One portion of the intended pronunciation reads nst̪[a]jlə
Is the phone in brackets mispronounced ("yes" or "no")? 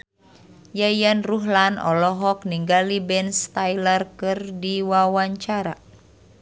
no